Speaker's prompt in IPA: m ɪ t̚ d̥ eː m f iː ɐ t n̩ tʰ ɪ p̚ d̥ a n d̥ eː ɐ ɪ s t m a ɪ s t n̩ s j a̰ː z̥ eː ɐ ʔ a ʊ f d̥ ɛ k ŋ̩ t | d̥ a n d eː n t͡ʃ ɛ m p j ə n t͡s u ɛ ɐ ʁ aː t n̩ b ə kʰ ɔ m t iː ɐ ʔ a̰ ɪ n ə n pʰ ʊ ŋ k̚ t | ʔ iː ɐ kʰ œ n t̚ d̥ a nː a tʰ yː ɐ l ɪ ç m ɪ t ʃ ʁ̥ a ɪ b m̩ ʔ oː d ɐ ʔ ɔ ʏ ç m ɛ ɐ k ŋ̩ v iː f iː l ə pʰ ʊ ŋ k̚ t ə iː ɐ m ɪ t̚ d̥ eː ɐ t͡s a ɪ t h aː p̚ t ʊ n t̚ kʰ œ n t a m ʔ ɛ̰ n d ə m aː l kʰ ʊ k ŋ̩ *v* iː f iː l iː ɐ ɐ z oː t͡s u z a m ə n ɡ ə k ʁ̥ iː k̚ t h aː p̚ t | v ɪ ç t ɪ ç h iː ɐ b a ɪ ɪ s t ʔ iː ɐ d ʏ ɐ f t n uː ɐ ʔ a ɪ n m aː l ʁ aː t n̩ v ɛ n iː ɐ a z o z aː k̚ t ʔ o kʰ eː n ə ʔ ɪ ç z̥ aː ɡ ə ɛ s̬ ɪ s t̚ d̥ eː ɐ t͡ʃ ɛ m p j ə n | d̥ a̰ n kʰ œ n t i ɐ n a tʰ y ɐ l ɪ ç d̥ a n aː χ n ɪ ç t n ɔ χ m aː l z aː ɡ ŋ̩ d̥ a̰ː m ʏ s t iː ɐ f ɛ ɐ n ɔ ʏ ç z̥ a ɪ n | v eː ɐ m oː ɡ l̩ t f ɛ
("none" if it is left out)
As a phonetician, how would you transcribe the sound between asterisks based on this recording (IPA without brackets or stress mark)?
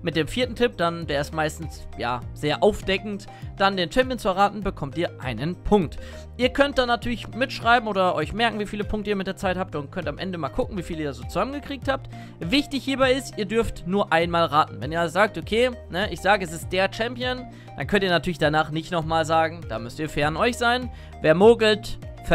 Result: v